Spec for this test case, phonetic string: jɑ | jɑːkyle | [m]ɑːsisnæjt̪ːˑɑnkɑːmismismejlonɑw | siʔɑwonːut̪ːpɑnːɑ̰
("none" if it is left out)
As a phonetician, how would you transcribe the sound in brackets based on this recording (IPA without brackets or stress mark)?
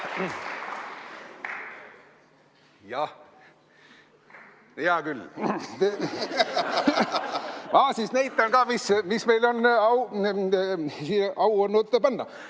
m